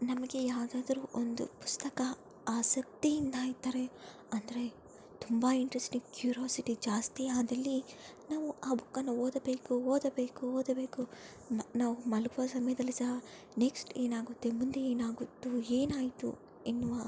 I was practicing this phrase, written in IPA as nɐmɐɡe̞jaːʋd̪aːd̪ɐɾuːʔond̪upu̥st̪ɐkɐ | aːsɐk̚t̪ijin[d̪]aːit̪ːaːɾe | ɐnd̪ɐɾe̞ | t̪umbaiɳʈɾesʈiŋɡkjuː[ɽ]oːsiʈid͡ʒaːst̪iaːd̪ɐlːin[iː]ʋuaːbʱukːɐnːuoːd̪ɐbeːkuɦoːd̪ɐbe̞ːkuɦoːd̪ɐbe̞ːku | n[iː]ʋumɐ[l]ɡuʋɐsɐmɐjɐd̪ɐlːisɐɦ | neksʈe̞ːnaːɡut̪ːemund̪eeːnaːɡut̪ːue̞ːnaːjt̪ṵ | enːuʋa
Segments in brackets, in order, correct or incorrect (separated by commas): correct, incorrect, incorrect, incorrect, correct